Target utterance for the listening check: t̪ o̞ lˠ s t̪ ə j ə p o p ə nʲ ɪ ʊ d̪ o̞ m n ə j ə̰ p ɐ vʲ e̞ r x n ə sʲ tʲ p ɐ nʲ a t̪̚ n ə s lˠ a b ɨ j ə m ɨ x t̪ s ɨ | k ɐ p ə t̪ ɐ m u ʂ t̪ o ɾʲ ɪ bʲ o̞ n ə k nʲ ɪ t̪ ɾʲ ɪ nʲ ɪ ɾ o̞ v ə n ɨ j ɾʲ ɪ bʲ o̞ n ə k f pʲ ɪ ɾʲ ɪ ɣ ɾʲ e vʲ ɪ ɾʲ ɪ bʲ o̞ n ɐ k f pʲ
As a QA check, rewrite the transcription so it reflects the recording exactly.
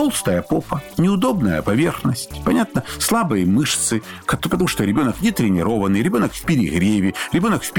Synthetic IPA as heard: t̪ o̞ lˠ s t̪ ə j ə p o p ə nʲ ɪ ʊ d̪ o̞ b n ə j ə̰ p ɐ vʲ e̞ r x n ə sʲ tʲ p ɐ nʲ a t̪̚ n ə s lˠ a b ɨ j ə m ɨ ʂ t̪ s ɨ | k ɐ p ə t̪ ɐ m u ʂ t̪ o ɾʲ ɪ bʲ o̞ n ə k nʲ ɪ t̪ ɾʲ ɪ nʲ ɪ ɾ o̞ v ə n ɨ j ɾʲ ɪ bʲ o̞ n ə k f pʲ ɪ ɾʲ ɪ ɣ ɾʲ e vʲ ɪ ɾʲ ɪ bʲ o̞ n ə k f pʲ